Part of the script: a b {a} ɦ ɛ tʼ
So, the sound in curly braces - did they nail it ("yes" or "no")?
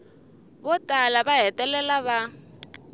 yes